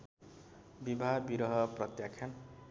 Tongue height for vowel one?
high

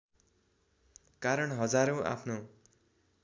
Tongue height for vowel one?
low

